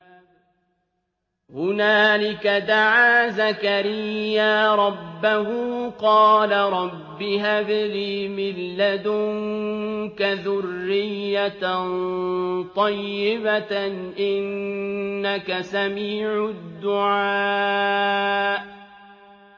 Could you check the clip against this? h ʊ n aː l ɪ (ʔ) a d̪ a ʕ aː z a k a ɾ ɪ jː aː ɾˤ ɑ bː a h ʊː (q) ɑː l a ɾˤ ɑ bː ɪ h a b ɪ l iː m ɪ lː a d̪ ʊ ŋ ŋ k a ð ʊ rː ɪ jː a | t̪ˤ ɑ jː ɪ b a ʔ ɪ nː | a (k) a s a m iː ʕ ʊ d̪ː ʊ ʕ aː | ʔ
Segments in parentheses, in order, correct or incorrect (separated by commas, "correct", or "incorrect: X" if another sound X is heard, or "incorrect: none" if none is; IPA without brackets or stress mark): incorrect: k, correct, correct